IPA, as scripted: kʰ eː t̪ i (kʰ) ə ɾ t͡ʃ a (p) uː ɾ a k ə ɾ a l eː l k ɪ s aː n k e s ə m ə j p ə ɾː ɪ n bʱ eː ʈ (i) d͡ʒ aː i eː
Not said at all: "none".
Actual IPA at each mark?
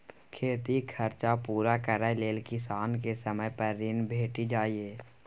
kʰ, p, i

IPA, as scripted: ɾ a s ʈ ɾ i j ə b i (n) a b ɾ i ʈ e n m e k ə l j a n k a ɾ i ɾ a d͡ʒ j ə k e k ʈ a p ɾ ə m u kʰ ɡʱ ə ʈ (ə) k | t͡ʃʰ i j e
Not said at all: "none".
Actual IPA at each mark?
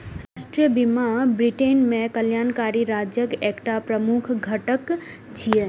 m, ə

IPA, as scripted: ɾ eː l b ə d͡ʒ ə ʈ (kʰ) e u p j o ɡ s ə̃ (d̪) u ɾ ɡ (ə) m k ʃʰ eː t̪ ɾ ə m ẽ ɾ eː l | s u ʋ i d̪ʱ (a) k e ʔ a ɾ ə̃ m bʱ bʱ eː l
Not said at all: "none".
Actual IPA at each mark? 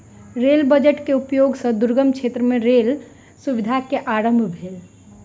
k, d̪, ə, a

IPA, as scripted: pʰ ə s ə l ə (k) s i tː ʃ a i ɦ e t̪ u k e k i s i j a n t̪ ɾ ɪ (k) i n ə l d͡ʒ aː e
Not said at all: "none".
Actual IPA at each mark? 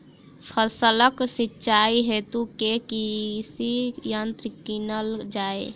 k, k

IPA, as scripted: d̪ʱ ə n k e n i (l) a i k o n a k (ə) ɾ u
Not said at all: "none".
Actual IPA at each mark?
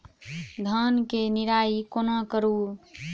ɾ, ə

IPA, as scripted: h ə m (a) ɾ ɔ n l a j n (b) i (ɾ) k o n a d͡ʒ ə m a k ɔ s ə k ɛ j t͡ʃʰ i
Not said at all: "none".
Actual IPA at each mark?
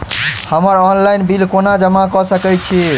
ə, b, l

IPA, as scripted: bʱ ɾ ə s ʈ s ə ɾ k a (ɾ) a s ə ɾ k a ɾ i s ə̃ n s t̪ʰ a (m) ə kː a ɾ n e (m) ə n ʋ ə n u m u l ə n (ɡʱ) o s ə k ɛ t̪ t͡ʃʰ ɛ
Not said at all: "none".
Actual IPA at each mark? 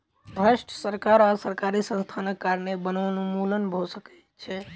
ɾ, n, b, bʱ

